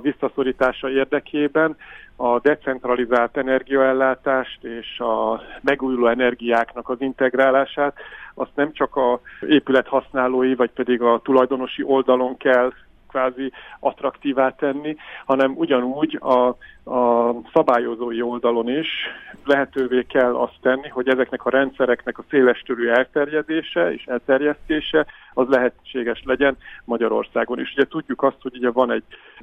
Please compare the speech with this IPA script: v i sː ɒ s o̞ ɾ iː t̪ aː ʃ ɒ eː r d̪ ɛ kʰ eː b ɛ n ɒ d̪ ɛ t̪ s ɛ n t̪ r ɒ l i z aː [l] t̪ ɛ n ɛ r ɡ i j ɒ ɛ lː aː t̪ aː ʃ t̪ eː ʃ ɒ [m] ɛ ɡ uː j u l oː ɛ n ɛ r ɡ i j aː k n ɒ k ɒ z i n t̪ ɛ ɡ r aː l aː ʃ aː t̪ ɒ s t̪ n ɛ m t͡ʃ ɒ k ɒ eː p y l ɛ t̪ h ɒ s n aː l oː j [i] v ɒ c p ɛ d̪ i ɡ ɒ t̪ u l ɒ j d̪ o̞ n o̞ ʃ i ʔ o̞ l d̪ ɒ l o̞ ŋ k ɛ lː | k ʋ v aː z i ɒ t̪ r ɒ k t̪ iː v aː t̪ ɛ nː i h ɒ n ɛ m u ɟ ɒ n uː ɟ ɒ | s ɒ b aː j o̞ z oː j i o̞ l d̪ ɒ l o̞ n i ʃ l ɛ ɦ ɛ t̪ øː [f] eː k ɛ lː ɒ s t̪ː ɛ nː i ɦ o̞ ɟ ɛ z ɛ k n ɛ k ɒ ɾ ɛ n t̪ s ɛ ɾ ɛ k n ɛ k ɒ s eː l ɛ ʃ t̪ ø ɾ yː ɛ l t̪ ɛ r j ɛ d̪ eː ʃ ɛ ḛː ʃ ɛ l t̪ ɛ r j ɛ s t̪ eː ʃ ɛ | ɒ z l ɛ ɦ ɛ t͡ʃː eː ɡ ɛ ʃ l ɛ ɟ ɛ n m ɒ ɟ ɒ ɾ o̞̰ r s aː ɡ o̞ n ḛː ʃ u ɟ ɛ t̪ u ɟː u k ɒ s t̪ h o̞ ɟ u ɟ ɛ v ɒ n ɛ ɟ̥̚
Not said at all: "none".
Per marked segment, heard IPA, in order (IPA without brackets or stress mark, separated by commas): l, m, i, v